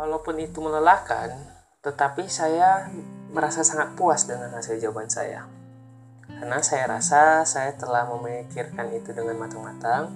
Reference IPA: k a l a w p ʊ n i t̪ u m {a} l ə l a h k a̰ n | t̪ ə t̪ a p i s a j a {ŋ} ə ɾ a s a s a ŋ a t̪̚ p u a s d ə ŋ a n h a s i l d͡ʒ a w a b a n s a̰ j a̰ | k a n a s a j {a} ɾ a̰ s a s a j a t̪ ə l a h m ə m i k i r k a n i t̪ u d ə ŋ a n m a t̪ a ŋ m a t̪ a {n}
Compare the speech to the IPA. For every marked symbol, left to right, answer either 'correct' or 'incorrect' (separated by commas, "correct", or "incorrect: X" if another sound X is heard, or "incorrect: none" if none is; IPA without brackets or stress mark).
incorrect: ə, incorrect: m, correct, incorrect: ŋ